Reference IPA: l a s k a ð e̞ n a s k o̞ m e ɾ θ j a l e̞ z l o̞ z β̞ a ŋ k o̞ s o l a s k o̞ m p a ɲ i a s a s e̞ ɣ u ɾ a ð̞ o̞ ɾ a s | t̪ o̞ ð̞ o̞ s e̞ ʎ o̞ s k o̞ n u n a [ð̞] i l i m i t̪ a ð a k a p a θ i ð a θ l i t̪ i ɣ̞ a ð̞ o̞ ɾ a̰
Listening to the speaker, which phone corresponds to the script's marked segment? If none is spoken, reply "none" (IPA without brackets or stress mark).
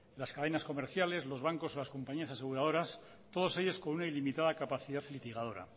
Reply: none